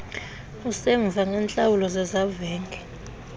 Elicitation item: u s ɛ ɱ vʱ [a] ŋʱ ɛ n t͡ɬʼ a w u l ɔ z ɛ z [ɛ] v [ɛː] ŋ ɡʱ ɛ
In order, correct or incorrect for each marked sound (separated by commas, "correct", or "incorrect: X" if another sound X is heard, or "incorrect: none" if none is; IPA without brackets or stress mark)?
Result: correct, incorrect: a, correct